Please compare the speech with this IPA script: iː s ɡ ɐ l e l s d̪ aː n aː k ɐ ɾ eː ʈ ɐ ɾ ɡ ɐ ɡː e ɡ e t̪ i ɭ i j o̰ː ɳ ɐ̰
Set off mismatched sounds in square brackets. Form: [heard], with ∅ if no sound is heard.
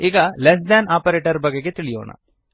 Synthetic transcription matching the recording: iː [∅] ɡ ɐ l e [∅] s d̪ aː n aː [p] ɐ ɾ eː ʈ ɐ ɾ [b] ɐ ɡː e ɡ e t̪ i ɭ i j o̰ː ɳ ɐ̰